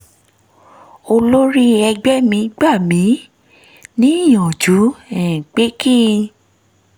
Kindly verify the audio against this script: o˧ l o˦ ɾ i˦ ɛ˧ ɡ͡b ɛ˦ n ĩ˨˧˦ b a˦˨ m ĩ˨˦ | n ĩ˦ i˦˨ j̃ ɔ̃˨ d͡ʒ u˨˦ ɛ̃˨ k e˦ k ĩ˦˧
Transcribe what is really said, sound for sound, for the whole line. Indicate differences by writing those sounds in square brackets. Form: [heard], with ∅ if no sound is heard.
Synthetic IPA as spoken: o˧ l o˦ ɾ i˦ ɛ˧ ɡ͡b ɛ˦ [m] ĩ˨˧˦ [ɡ͡b] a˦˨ m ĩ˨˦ | n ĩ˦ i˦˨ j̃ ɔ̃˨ d͡ʒ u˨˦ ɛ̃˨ [k͡p] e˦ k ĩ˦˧

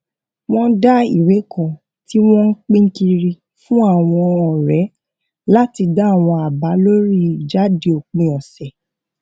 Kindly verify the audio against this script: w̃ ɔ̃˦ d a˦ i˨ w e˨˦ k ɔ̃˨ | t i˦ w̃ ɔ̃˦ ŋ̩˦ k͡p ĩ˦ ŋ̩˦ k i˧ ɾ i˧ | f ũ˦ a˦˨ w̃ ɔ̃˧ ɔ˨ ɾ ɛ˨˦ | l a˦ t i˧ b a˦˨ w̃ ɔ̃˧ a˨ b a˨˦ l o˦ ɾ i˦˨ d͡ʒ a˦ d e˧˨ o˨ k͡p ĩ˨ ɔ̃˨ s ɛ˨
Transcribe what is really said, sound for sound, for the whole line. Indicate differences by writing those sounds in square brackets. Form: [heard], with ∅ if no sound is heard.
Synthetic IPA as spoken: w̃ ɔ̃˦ d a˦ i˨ w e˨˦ k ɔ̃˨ | t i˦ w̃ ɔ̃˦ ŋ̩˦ k͡p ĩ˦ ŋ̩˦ k i˧ ɾ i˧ | f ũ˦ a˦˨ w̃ ɔ̃˧ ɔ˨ ɾ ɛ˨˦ | l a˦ t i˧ [d] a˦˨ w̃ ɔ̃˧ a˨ b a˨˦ l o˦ ɾ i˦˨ d͡ʒ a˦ d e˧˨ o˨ k͡p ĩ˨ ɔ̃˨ s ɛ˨

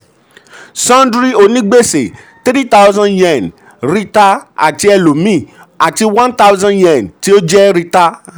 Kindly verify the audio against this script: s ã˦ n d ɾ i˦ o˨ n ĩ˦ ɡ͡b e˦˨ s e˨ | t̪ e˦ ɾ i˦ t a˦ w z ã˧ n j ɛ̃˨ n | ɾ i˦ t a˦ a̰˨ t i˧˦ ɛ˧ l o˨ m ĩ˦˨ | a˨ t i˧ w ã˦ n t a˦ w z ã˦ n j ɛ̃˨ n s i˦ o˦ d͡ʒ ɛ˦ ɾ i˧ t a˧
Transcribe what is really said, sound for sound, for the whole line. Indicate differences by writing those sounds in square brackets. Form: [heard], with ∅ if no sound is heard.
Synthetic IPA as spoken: s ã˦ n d ɾ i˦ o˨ n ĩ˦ ɡ͡b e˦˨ s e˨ | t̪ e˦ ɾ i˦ t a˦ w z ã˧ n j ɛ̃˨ n | ɾ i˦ t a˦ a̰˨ t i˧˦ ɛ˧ l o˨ m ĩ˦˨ | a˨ t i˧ w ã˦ n t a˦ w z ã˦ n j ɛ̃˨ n [t] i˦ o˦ d͡ʒ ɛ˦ ɾ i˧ t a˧

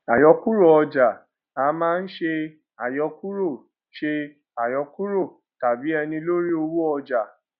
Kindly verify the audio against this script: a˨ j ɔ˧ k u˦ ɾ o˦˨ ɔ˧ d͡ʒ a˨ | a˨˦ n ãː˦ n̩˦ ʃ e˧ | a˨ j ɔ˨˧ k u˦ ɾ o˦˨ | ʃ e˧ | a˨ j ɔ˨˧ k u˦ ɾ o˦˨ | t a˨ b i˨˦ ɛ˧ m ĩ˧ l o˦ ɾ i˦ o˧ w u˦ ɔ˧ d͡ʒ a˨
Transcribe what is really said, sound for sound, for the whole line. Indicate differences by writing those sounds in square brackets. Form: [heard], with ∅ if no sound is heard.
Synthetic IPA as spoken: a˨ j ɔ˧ k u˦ ɾ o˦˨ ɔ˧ d͡ʒ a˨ | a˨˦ [m] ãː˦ n̩˦ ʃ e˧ | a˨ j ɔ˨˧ k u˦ ɾ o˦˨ | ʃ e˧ | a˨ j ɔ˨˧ k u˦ ɾ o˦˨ | t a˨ b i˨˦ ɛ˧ [n] ĩ˧ l o˦ ɾ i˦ o˧ w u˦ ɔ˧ d͡ʒ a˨

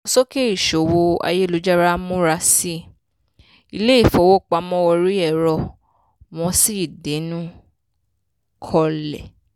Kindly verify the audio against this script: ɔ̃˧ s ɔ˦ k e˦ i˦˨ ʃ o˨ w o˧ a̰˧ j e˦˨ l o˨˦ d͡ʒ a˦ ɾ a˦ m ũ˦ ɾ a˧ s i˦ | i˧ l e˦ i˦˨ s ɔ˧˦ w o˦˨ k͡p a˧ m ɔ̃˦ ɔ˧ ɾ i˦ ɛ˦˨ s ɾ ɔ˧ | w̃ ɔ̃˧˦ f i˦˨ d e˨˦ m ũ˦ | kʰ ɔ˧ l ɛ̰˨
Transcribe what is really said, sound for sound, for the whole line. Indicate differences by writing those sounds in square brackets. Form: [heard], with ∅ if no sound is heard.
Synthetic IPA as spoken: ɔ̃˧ s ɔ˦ k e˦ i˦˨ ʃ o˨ w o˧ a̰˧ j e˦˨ l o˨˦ d͡ʒ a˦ ɾ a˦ m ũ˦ ɾ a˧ s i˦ | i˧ l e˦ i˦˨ [f] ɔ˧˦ w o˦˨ k͡p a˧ m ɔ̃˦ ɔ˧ ɾ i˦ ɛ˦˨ [∅] ɾ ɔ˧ | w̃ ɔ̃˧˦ [s] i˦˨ d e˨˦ [n] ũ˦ | kʰ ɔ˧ l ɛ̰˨

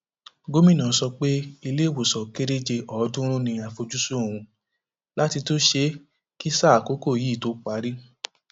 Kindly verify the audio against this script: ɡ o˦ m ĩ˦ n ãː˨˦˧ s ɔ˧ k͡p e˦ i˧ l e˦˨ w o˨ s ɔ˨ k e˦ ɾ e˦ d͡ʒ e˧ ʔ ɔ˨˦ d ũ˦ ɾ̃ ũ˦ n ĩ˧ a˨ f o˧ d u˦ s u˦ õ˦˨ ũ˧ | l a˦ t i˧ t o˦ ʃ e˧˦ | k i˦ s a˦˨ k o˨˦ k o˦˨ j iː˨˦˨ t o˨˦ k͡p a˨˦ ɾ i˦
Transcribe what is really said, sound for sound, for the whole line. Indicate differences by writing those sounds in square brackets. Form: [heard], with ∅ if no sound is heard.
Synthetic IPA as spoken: ɡ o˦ m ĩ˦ n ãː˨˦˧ s ɔ˧ k͡p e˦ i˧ l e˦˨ w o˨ s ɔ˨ k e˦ ɾ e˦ d͡ʒ e˧ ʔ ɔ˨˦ d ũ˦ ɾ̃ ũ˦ n ĩ˧ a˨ f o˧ [d͡ʒ] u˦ s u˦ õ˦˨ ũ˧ | l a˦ t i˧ t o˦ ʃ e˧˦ | k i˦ s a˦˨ k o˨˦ k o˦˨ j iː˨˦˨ t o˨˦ k͡p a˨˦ ɾ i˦

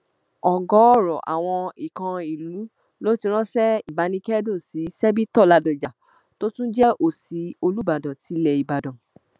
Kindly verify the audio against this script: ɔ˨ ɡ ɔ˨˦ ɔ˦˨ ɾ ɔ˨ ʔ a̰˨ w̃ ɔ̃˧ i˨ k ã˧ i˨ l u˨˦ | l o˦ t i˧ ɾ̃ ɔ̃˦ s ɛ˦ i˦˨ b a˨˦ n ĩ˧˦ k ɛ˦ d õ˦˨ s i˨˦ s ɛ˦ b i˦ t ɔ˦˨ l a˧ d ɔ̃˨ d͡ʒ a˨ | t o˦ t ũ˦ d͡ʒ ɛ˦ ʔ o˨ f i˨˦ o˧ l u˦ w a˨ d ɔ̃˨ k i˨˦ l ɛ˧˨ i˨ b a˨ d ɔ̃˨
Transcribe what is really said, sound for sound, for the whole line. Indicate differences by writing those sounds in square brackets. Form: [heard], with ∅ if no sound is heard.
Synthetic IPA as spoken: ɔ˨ ɡ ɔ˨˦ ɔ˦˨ ɾ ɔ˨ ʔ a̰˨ w̃ ɔ̃˧ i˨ k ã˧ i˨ l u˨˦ | l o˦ t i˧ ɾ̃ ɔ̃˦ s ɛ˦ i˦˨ b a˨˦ n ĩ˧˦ k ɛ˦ d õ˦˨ s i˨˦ s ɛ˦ b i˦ t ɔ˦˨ l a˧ d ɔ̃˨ d͡ʒ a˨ | t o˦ t ũ˦ d͡ʒ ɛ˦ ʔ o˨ [s] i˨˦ o˧ l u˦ [b] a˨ d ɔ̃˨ [t] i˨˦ l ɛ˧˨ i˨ b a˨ d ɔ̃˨

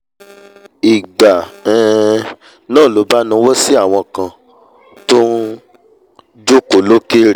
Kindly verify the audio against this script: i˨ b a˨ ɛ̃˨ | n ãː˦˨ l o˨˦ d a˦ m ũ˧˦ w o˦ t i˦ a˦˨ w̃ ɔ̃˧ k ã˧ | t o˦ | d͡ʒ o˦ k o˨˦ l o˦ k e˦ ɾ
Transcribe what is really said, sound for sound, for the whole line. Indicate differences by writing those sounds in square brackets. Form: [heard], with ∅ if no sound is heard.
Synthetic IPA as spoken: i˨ [ɡ͡b] a˨ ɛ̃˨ | n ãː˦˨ l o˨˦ [b] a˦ [n] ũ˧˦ w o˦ [s] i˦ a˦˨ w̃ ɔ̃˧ k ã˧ | t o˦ | d͡ʒ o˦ k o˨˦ l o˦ k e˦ ɾ

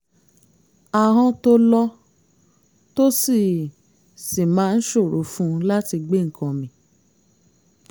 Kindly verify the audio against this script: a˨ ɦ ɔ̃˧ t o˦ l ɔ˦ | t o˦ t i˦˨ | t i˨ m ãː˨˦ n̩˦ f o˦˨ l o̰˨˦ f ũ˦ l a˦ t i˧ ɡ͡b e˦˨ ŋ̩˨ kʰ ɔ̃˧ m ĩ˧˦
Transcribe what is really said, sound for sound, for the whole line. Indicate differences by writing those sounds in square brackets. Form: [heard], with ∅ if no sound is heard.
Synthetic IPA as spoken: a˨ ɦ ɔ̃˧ t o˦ l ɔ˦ | t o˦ [s] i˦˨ | [s] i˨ m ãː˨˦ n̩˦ [ʃ] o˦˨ [ɾ] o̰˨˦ f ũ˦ l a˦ t i˧ ɡ͡b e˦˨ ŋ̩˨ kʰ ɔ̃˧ m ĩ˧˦

